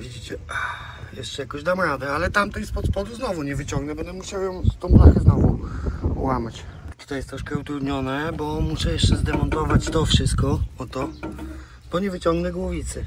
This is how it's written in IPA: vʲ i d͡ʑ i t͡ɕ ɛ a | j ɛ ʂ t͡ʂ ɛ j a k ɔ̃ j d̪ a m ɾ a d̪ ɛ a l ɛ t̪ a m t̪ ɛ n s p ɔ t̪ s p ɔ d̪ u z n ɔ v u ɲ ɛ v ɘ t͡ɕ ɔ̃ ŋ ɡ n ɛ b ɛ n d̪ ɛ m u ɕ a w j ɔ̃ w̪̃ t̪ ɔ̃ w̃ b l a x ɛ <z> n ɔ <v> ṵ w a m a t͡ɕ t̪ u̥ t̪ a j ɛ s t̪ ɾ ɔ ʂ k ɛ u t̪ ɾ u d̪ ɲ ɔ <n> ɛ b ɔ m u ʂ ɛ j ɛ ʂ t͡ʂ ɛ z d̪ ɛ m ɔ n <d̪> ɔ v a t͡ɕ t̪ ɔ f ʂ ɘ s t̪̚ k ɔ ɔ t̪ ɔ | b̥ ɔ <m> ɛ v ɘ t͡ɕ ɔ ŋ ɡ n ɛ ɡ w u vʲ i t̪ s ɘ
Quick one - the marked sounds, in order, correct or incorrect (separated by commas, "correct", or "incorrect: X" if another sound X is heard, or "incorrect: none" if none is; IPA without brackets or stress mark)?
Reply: correct, correct, correct, incorrect: t̪, incorrect: ɲ